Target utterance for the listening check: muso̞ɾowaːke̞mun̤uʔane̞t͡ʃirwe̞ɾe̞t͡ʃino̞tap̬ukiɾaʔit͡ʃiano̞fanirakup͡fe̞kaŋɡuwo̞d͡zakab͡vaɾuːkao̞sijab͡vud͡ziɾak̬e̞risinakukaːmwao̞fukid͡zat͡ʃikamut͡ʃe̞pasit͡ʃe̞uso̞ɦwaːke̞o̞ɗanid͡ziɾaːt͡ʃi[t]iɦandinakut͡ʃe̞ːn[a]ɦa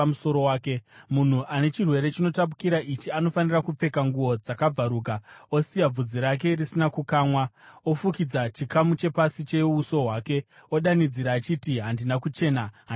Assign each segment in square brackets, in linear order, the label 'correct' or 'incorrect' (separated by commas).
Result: correct, correct